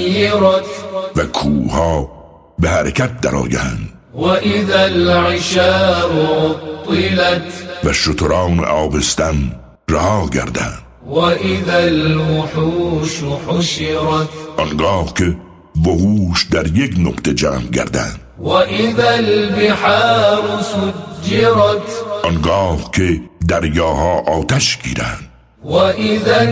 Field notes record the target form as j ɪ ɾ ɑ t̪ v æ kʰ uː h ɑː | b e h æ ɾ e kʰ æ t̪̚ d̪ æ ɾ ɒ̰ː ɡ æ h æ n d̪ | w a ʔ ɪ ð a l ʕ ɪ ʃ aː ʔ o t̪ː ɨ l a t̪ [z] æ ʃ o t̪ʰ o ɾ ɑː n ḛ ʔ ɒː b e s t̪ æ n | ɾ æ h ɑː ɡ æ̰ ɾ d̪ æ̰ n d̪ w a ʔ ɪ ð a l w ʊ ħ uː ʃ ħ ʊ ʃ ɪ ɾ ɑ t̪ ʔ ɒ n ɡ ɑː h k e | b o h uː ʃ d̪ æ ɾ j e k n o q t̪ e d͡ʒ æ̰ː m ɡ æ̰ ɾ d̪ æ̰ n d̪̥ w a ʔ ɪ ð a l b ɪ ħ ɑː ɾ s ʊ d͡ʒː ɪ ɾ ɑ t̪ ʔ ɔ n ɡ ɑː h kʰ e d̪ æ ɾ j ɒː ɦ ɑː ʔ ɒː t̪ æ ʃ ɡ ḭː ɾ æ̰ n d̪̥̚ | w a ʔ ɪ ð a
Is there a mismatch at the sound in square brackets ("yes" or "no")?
yes